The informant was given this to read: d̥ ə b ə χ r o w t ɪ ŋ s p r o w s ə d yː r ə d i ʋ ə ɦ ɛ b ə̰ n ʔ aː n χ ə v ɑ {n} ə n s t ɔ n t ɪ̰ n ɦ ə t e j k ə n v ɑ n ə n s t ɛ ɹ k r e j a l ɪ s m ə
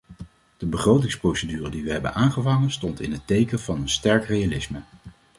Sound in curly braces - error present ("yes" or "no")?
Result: yes